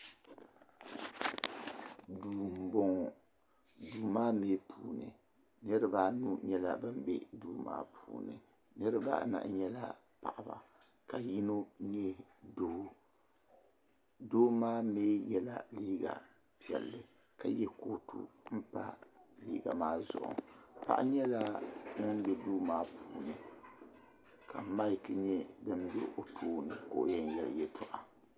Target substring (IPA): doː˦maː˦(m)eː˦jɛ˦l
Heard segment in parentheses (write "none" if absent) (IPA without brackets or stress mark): m